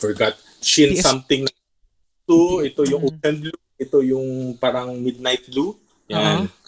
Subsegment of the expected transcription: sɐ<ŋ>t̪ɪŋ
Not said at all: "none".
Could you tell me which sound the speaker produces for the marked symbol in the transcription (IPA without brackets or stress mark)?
m